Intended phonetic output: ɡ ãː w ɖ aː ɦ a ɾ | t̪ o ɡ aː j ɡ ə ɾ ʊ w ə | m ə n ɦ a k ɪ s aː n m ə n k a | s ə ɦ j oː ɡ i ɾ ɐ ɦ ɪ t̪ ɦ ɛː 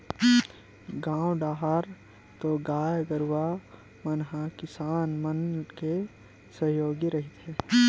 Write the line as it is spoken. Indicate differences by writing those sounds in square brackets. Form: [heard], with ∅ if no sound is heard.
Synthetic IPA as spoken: ɡ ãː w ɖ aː ɦ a ɾ | t̪ o ɡ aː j ɡ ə ɾ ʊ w [a] | m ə n ɦ a k ɪ s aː n m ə n k [e] | s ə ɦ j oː ɡ i ɾ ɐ ɦ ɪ t̪ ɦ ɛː